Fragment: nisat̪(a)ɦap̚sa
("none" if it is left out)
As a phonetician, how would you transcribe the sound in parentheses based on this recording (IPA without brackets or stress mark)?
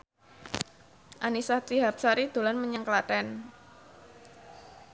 i